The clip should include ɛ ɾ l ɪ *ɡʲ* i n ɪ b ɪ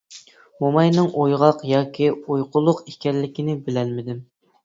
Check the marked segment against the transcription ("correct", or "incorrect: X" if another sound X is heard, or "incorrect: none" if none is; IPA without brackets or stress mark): incorrect: kʲ